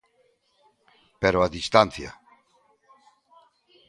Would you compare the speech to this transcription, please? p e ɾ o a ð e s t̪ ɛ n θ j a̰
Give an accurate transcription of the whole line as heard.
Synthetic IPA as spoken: p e ɾ o a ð i s t̪ a n θ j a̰